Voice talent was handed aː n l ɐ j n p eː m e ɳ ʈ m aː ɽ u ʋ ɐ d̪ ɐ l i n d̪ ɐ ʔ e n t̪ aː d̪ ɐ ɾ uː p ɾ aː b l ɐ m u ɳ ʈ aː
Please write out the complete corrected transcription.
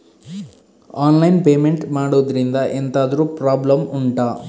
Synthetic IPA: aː n l ɐ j n p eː m e ɳ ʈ m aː ɽ u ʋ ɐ d̪ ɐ ɾ i n d̪ ɐ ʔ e n t̪ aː d̪ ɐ ɾ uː p ɾ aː b l ɐ m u ɳ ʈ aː

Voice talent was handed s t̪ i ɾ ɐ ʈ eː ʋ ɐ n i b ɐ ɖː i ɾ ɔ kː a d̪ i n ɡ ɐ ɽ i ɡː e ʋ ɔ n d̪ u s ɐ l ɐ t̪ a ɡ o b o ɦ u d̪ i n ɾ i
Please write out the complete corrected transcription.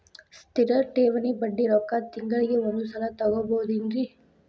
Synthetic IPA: s t̪ i ɾ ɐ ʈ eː ʋ ɐ n i b ɐ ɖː i ɾ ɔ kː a t̪ i ŋ ɡ ɐ ɭ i ɡ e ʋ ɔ n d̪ u s ɐ l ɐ t̪ ɐ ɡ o b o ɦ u d̪ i n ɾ i

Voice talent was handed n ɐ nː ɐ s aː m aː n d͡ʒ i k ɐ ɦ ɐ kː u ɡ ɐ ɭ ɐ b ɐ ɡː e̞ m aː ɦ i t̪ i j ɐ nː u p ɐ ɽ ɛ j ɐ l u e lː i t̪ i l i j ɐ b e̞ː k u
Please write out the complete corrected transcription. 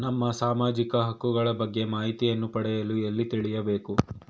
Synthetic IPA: n ɐ mː ɐ s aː m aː d͡ʒ i k ɐ ɦ ɐ kː u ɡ ɐ ɭ ɐ b ɐ ɡː e̞ m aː ɦ i t̪ i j ɐ nː u p ɐ ɽ ɛ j ɐ l u e lː i t̪ i ɭ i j ɐ b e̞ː k u

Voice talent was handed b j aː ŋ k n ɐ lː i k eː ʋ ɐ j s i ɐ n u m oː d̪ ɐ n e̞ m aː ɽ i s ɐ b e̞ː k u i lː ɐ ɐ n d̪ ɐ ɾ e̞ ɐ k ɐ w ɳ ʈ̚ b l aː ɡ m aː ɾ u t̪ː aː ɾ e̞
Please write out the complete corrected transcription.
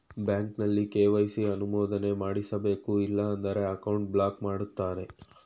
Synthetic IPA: b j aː ŋ k n ɐ lː i k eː ʋ ɐ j s i ɐ n u m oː d̪ ɐ n e̞ m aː ɽ i s ɐ b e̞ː k u i lː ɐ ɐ n d̪ ɐ ɾ e̞ ɐ k ɐ w ɳ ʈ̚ b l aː k m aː ɽ u t̪ː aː ɾ e̞

